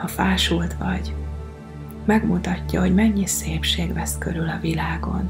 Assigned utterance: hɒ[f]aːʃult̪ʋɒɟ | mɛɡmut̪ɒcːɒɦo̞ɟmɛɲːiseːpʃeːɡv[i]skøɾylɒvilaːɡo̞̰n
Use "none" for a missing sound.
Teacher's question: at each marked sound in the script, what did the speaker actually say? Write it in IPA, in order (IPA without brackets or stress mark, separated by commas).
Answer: f, ɛ